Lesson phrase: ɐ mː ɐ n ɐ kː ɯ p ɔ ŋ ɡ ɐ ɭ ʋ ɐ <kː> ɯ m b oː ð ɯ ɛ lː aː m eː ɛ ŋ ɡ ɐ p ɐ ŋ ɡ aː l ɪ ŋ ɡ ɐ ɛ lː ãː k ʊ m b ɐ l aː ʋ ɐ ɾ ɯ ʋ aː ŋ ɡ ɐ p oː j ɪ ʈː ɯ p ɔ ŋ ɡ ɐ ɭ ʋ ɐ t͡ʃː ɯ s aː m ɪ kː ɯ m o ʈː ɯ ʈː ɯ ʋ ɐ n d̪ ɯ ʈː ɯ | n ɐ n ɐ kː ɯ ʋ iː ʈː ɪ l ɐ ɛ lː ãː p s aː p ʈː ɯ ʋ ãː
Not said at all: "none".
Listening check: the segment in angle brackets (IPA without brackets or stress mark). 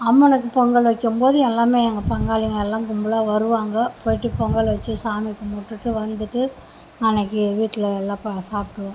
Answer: kː